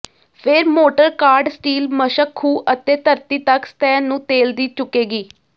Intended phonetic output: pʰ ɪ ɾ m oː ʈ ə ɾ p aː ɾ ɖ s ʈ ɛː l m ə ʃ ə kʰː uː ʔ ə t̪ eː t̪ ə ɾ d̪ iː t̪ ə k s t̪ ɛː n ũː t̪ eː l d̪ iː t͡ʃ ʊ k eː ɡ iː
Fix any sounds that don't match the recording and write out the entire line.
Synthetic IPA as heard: pʰ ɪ ɾ m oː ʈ ə ɾ k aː ɾ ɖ s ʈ iː l m ə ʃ ə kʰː uː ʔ ə t̪ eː t̪ ə ɾ t̪ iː t̪ ə k s t̪ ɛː n ũː t̪ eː l d̪ iː t͡ʃ ʊ k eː ɡ iː